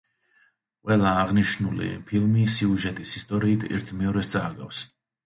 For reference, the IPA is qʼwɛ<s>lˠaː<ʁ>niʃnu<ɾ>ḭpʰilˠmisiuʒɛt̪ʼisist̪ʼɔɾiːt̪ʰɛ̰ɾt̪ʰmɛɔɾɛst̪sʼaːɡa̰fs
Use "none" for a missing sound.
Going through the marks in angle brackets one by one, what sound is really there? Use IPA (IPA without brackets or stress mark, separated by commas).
none, ʁ, l